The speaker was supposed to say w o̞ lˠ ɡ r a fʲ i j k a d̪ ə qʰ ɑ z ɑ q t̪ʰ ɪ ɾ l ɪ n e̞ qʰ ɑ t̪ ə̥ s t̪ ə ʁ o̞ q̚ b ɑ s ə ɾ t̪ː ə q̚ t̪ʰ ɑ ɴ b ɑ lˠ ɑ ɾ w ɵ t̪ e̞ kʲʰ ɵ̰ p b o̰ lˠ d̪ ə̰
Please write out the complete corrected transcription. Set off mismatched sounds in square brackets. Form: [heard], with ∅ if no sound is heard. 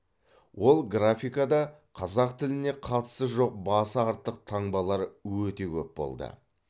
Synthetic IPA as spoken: w o̞ lˠ ɡ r a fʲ i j k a d̪ [ɑ] qʰ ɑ z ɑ q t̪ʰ ɪ [∅] l ɪ n e̞ qʰ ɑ t̪ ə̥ s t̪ ə [ʒ] o̞ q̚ b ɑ s [ɑ] ɾ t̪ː ə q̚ t̪ʰ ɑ ɴ b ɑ lˠ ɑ ɾ w ɵ t̪ e̞ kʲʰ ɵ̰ p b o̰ lˠ d̪ ə̰